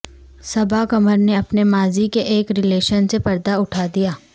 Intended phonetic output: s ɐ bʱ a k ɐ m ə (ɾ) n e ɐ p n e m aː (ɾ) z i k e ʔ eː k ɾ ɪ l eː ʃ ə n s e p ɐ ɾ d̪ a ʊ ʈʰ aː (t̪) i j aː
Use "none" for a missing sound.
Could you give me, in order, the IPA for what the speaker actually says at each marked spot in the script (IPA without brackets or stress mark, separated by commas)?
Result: ɾ, none, d̪